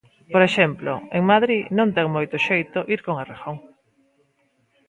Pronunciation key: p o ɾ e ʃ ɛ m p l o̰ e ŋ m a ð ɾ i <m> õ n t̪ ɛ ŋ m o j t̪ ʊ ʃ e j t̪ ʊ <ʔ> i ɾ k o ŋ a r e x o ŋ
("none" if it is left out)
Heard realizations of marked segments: n, ʔ

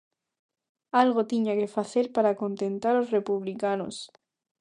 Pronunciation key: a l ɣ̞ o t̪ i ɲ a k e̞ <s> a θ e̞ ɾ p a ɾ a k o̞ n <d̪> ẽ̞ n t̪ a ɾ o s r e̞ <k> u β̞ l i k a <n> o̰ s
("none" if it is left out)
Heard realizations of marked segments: f, t̪, p, n

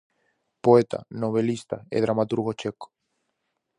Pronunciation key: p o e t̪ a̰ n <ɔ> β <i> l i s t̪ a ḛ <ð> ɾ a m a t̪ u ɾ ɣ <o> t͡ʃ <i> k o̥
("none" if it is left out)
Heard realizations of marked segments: o, e, ð, o, e

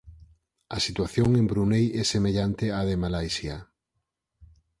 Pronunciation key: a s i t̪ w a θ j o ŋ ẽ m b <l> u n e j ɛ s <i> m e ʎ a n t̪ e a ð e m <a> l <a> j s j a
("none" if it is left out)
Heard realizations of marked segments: ɾ, e, a, a

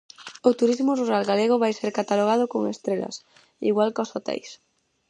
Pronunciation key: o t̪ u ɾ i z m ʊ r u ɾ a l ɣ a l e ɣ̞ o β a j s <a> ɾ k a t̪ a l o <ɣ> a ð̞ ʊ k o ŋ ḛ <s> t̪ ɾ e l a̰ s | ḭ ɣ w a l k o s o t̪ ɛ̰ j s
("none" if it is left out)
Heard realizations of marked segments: e, ɣ, s

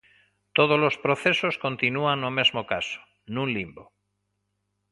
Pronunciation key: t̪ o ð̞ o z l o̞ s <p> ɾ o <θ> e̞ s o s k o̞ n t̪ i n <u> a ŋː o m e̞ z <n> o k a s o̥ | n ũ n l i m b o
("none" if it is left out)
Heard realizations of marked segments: p, θ, u, m

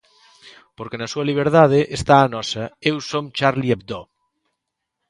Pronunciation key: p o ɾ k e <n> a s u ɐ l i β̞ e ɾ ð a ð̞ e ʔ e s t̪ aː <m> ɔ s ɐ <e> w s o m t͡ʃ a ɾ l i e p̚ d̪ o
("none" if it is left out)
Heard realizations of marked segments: n, n, e

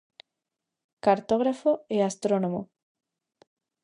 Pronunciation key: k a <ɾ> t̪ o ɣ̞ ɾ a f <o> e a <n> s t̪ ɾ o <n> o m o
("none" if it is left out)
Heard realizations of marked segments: ɾ, o, none, n

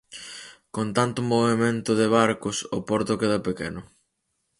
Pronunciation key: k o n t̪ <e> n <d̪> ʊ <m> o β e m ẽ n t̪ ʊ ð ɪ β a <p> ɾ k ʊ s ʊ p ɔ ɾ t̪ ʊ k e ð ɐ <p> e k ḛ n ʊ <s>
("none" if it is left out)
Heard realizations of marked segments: a, t̪, m, none, p, none

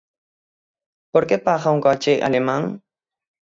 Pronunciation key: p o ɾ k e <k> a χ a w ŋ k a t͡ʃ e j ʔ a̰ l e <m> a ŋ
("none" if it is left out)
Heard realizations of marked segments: p, m

